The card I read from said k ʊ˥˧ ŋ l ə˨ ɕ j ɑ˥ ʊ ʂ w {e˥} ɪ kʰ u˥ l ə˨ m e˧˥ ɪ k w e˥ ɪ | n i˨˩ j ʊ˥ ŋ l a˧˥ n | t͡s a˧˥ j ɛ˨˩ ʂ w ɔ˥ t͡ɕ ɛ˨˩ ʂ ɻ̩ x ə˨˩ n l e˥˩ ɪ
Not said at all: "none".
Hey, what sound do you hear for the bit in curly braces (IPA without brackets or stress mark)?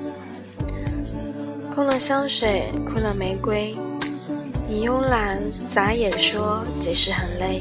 e˨˩